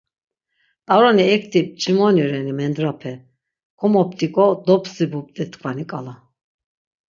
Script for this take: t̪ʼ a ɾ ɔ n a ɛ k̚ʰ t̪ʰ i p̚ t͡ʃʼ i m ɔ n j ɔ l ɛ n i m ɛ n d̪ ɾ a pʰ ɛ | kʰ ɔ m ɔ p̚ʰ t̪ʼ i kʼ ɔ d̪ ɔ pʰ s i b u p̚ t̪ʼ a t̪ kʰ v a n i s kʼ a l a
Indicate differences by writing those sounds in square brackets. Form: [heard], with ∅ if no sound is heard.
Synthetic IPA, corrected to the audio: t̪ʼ a ɾ ɔ n [i] ɛ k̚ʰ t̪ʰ i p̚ t͡ʃʼ i m ɔ n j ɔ [ɾ] ɛ n i m ɛ n d̪ ɾ a pʰ ɛ | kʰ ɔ m ɔ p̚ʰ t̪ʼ i kʼ ɔ d̪ ɔ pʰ s i b u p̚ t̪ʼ [ɛ] t̪ kʰ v a n i [∅] kʼ a l a

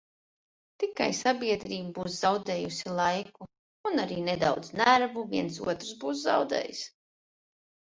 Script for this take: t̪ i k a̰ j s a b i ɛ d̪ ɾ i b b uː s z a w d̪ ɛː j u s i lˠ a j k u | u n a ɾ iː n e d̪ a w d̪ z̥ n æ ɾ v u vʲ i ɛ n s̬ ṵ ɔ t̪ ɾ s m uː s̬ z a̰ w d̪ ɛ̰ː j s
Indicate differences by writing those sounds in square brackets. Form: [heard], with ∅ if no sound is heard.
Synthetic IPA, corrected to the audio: t̪ i k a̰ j s a b i ɛ d̪ ɾ [iː] b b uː s z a w d̪ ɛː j u s i lˠ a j k u | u n a ɾ iː n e d̪ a w d̪ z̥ n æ ɾ v u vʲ i ɛ n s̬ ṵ ɔ t̪ ɾ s [b] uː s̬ z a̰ w d̪ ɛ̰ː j s

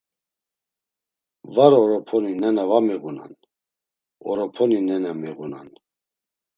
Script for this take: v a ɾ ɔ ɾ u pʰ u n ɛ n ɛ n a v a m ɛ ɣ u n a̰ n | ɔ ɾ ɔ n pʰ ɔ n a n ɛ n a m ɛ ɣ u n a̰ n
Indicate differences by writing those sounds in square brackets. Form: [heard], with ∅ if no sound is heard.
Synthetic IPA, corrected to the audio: v a ɾ ɔ ɾ [ɔ] pʰ [ɔ] n [i] n ɛ n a v a m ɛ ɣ u n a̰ n | ɔ ɾ ɔ [∅] pʰ ɔ n [i] n ɛ n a m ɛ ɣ u n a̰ n

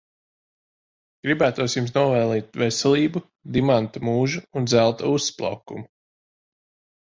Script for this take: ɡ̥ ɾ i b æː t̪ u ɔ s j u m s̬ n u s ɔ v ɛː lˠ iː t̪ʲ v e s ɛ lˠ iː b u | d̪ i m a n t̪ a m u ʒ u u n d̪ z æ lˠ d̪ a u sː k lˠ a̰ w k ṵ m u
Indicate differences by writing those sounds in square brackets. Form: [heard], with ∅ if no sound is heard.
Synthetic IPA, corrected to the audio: ɡ̥ ɾ i b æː t̪ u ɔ s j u m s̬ n u [∅] ɔ v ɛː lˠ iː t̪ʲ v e s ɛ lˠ iː b u | d̪ i m a n t̪ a m [uː] ʒ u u n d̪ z æ lˠ [t̪] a u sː [p] lˠ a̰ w k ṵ m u

